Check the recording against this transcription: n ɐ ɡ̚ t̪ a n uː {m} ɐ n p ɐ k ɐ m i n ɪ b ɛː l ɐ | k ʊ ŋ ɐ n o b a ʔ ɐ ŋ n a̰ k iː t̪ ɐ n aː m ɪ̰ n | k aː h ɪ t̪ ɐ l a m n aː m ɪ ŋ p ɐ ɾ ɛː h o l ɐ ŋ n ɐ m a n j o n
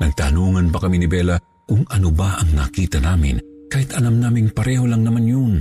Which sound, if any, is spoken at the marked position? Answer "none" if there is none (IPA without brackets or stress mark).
ŋ